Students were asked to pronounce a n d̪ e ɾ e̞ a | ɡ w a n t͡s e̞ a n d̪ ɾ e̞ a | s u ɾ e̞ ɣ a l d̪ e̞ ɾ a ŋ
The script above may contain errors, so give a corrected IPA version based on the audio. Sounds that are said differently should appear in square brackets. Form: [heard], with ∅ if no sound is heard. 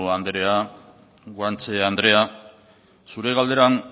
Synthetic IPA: a n d̪ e ɾ e̞ a | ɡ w a n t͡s e̞ a n d̪ ɾ e̞ a | s u ɾ e̞ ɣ a l d̪ e̞ ɾ a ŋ